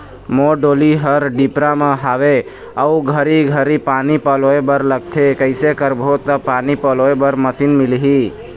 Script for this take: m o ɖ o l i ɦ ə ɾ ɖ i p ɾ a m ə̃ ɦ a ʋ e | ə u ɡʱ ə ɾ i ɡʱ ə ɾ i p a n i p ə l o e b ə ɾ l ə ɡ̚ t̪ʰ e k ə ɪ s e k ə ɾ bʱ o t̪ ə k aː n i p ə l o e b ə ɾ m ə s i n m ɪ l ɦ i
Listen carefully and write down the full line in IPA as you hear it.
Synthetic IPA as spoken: m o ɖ o l i ɦ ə ɾ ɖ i p ɾ a m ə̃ ɦ a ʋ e | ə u ɡʱ ə ɾ i ɡʱ ə ɾ i p a n i p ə l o e b ə ɾ l ə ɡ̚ t̪ʰ e k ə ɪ s e k ə ɾ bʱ o t̪ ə p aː n i p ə l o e b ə ɾ m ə s i n m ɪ l ɦ i